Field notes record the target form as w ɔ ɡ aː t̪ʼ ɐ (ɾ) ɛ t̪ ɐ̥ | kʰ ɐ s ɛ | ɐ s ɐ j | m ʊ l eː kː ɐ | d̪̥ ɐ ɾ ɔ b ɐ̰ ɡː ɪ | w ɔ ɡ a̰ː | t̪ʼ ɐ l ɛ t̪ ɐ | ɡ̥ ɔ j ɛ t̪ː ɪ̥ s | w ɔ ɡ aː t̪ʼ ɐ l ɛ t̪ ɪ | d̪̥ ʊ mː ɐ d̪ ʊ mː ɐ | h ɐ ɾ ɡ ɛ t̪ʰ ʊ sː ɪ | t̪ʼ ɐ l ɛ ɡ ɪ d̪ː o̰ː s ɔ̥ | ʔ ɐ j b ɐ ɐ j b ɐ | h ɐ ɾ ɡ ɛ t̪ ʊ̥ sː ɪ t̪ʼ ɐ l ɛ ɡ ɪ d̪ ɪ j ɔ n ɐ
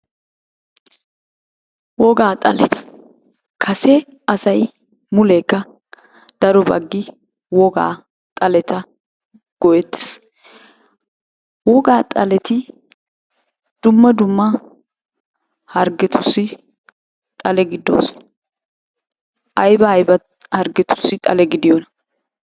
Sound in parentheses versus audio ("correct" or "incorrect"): incorrect